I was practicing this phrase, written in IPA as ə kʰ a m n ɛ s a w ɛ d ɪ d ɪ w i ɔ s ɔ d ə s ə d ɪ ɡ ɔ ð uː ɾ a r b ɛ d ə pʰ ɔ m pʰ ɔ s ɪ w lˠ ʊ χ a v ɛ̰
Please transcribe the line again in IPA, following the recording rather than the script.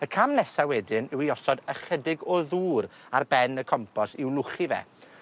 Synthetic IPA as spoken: ə kʰ a m n ɛ s a w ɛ d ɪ n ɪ w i ɔ s ɔ d ə χ ə d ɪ ɡ ɔ ð uː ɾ a r b ɛ n ə kʰ ɔ m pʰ ɔ s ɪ w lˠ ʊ χ i v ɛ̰